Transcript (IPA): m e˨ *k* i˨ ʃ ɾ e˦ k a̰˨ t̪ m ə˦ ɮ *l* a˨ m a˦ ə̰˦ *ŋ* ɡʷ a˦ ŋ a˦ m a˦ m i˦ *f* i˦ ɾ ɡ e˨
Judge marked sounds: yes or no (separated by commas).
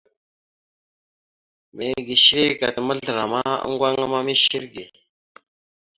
no, no, yes, no